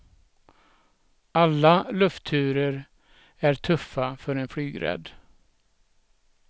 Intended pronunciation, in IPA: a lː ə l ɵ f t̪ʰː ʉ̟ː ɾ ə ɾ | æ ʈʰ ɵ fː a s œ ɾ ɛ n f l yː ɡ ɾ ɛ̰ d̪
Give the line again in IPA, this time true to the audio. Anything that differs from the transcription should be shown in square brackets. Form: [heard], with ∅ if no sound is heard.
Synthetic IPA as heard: a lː [a] l ɵ f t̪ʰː ʉ̟ː ɾ ə ɾ | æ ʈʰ ɵ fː a [f] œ ɾ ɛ n f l yː ɡ ɾ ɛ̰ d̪